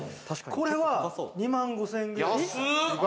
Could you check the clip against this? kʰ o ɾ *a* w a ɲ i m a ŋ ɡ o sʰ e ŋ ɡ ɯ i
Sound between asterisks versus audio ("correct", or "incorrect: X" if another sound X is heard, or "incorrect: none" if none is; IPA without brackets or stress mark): incorrect: e